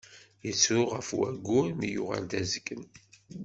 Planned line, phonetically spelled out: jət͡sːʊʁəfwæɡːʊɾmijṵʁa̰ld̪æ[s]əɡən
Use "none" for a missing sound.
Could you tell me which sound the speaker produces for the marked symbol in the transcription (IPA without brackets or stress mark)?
z